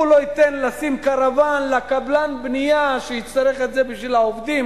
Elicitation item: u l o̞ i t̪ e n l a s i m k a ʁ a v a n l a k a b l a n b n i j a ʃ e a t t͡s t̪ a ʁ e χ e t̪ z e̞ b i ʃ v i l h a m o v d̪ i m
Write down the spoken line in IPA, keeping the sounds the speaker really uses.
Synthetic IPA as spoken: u l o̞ i t̪ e n l a s i m k a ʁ a v a n l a k a b l a n b n i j a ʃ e i t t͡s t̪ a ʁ e χ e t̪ z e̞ b i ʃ v i l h a o v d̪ i m